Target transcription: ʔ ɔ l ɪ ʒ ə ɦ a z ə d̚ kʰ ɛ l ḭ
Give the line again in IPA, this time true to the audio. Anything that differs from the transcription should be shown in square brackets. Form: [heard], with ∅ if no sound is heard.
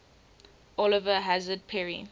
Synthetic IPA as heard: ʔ ɔ l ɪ [v] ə ɦ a z ə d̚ [pʰ] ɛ [ɹ] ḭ